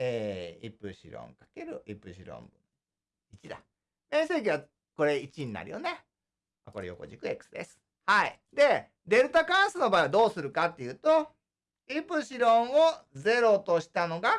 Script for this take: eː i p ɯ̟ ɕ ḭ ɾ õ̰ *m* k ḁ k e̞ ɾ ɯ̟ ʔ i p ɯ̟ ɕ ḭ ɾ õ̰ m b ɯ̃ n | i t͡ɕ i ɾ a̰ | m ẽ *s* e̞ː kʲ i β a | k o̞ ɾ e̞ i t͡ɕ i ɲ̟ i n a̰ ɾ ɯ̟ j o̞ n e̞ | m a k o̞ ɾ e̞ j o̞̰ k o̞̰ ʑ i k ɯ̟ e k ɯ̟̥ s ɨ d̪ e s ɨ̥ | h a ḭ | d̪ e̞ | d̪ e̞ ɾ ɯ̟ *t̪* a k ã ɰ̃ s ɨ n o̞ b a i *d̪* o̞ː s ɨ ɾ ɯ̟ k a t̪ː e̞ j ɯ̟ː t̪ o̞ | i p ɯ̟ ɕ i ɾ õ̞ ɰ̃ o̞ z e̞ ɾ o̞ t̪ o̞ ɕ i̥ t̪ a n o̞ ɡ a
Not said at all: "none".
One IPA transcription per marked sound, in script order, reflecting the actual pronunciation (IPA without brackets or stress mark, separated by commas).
ŋ, s, t̪, d̪